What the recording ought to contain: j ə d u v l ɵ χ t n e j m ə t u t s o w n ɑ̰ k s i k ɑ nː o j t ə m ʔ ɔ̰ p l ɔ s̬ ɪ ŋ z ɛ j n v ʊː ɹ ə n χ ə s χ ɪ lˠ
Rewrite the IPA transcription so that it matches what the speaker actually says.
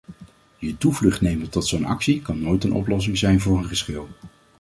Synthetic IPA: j ə t u v l ɵ χ t n e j m ə t ɔ t s o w n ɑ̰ k s i k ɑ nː o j t ə n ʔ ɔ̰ p l ɔ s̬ ɪ ŋ z ɛ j n v ʊː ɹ ə n χ ə s χ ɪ lˠ